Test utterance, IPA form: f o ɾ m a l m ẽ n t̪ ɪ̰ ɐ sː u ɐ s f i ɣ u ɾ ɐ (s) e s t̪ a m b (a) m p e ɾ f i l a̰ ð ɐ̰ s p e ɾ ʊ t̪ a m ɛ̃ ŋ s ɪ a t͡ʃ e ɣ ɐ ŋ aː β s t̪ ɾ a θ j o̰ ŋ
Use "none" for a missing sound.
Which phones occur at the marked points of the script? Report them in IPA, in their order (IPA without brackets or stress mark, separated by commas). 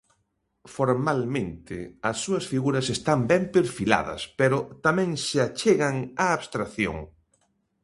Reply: s, ɛ